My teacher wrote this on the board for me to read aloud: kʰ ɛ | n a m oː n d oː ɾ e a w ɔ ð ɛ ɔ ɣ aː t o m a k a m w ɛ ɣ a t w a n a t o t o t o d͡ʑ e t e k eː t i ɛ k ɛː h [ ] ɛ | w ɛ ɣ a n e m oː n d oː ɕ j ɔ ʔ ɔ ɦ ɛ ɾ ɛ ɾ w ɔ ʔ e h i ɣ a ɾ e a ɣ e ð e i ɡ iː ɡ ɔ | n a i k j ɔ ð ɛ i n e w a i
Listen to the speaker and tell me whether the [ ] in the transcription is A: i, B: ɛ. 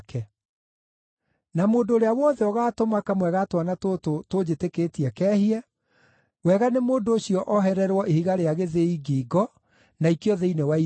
A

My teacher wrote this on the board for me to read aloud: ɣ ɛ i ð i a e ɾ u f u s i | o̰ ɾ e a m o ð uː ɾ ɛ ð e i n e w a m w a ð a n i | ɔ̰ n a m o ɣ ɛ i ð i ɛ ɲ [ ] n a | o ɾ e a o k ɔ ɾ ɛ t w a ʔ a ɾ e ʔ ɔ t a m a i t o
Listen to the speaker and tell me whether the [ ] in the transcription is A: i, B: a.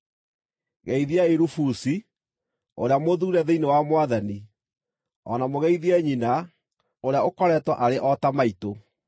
A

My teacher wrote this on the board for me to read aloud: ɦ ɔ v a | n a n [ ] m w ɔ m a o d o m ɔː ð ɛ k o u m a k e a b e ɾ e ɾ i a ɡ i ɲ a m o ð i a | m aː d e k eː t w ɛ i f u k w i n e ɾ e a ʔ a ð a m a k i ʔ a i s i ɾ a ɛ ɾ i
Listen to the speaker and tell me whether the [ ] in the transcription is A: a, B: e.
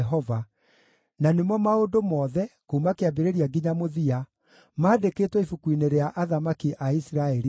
B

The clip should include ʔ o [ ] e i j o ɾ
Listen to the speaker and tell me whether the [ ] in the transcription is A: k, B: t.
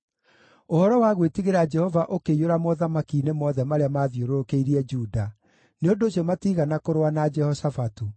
A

